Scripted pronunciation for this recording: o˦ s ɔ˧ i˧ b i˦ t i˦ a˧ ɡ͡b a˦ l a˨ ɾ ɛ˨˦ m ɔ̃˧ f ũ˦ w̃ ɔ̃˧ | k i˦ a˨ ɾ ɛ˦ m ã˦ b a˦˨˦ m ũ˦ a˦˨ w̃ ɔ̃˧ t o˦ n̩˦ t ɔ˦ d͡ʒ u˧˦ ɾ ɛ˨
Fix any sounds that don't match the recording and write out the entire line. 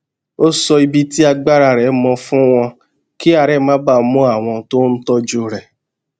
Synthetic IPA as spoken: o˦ s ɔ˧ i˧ b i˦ t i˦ a˧ ɡ͡b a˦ ɾ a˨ ɾ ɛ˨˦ m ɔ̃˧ f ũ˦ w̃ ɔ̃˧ | k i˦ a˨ ɾ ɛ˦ m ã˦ b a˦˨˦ m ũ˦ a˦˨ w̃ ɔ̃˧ t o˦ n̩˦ t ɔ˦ d͡ʒ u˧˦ ɾ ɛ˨